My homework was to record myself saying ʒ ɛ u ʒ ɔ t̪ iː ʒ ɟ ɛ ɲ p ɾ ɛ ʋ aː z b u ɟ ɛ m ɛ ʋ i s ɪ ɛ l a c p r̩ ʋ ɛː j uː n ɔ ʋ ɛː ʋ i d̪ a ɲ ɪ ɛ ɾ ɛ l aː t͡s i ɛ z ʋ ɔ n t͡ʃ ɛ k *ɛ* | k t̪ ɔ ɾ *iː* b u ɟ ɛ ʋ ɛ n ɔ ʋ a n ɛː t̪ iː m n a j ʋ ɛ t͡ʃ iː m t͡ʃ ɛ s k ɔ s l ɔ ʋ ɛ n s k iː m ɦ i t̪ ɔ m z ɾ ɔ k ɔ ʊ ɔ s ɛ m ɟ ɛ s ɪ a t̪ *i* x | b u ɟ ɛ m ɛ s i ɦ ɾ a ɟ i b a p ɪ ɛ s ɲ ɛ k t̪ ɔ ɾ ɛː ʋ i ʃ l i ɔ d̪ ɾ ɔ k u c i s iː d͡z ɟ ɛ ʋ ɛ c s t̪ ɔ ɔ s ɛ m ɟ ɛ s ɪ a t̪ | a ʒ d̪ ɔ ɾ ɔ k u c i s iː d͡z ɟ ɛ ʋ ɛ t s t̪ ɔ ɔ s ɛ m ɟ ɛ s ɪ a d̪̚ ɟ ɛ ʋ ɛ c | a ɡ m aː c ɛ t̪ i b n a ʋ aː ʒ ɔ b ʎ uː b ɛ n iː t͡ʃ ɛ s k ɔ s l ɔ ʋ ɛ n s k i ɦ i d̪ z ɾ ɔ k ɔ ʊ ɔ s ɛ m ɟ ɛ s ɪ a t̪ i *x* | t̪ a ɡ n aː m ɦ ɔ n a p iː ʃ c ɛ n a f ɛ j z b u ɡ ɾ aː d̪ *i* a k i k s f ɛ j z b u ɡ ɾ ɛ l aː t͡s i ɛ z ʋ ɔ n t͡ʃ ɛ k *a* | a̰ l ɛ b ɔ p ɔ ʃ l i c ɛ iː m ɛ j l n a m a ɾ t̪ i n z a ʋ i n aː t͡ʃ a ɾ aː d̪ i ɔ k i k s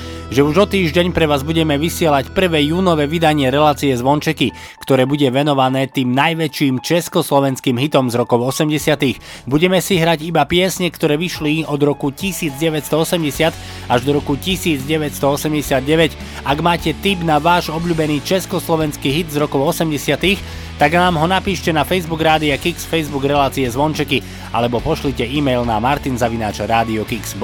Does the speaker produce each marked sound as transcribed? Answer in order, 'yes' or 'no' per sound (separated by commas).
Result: no, no, yes, yes, yes, no